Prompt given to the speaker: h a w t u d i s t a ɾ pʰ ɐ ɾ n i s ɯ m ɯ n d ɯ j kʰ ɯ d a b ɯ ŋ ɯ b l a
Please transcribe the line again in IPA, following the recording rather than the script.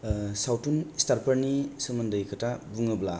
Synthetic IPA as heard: s a w t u n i s t a ɾ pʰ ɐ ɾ n i s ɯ m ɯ n d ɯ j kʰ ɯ t a b u ŋ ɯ b l a

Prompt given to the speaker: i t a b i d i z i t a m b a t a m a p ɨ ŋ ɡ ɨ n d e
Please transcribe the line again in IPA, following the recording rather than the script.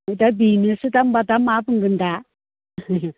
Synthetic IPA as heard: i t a b i n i s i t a m b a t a m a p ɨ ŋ ɡ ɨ n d a

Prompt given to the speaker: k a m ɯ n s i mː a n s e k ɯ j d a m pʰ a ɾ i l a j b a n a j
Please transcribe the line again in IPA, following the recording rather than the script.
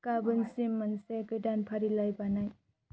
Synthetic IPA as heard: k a b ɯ n s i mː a n s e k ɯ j d a n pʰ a ɾ i l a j b a n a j

